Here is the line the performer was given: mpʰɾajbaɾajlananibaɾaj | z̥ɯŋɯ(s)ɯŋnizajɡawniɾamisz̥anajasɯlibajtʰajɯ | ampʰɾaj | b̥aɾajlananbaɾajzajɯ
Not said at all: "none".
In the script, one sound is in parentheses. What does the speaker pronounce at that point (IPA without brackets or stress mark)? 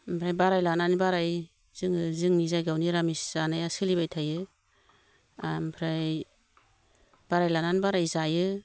z